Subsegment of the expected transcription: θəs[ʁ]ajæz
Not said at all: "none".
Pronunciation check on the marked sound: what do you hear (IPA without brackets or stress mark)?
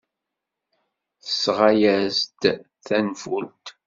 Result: ʁ